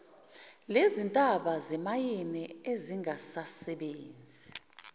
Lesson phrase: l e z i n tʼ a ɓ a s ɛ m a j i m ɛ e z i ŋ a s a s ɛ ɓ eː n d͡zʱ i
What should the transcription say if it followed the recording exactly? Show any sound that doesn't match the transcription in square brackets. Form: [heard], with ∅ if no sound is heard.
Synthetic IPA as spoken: l e z i n tʼ a ɓ a [z] ɛ m a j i [n] ɛ e z i ŋ a s a s ɛ ɓ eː n d͡zʱ i